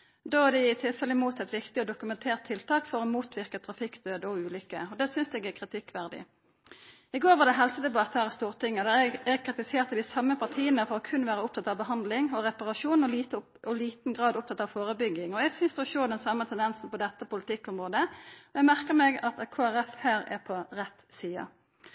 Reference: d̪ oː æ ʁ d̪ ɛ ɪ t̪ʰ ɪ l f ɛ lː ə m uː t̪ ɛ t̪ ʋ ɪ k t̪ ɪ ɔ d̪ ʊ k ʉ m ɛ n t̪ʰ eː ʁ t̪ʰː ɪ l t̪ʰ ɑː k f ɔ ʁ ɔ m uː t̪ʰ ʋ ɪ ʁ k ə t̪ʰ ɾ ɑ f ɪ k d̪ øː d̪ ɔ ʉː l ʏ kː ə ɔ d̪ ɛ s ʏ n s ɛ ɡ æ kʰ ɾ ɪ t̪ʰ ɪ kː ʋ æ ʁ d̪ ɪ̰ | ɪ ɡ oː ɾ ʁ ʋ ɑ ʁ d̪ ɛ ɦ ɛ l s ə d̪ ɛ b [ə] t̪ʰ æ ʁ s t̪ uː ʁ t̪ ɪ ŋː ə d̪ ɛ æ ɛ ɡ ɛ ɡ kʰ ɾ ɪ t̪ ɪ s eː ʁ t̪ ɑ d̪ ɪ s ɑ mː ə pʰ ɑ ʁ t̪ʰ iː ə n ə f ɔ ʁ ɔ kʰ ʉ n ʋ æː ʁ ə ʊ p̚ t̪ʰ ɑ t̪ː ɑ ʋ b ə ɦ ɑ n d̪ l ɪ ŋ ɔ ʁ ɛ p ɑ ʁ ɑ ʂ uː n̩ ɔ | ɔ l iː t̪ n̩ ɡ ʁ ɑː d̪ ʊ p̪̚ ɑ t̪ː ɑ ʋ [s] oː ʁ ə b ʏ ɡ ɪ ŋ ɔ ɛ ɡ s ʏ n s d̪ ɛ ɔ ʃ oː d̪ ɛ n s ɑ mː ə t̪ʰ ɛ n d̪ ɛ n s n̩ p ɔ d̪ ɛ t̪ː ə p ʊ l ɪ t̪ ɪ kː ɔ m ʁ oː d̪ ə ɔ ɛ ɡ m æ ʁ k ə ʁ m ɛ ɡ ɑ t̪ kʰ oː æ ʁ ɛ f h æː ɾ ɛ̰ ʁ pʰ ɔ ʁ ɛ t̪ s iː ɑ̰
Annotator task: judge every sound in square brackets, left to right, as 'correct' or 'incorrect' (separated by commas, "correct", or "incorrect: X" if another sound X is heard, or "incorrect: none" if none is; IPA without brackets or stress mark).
incorrect: ɑ, incorrect: f